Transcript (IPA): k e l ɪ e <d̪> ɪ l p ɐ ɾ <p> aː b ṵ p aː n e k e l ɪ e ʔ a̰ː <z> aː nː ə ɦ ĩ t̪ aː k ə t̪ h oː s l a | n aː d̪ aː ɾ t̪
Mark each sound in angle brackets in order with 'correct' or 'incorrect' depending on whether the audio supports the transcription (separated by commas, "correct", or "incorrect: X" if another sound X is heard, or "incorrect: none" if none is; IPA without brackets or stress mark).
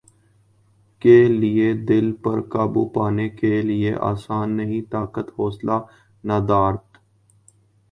correct, incorrect: k, incorrect: s